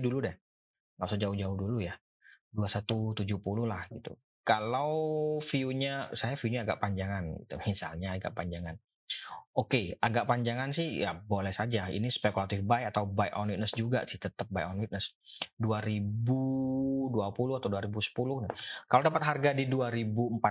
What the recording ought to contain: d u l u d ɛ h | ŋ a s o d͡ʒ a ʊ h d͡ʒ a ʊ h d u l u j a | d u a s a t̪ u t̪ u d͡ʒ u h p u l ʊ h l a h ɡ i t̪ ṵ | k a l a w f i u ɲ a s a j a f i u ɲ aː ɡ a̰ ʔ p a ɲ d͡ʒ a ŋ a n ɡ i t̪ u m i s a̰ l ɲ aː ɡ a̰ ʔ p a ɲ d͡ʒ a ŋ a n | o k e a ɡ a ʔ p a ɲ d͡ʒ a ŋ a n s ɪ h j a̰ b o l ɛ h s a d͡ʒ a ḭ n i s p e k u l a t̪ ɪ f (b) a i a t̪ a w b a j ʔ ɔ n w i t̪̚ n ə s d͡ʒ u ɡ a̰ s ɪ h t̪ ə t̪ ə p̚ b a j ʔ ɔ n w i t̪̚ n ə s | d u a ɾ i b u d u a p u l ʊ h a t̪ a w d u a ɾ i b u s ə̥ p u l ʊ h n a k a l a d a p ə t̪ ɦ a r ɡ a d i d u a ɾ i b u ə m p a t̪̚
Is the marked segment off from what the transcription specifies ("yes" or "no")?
no